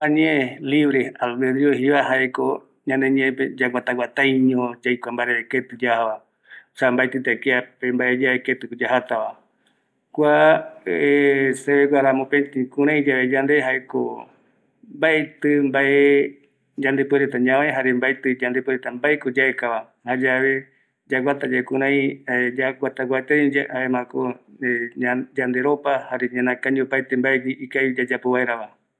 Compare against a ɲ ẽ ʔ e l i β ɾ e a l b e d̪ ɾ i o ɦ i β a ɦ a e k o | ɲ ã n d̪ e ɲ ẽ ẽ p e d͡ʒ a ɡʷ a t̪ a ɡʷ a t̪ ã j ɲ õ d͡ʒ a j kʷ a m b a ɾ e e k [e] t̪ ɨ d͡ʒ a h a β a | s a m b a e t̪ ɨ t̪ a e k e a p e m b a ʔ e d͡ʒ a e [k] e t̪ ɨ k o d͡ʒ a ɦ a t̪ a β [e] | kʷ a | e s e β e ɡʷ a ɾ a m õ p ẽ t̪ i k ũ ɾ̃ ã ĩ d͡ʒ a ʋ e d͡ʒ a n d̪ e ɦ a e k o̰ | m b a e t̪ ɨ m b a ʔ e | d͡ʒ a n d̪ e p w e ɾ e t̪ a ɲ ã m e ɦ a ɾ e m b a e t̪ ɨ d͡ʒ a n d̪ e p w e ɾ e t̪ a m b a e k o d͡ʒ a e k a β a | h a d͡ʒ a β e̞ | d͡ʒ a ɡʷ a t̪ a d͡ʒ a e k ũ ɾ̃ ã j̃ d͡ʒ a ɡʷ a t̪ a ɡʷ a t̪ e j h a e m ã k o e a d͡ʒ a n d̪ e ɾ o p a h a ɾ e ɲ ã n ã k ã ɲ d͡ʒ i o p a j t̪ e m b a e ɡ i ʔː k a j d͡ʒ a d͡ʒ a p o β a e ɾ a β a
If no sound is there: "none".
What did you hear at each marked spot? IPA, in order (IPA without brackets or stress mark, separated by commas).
e, k, a